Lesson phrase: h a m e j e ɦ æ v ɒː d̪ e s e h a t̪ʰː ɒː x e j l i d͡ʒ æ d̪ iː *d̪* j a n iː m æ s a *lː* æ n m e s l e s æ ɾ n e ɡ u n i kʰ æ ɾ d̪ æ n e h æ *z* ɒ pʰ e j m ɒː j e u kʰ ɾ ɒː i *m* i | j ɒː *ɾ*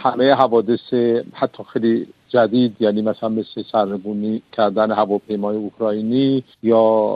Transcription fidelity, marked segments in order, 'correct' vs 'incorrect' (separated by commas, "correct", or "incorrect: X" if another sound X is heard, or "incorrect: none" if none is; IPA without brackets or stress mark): correct, incorrect: l, incorrect: v, incorrect: n, incorrect: none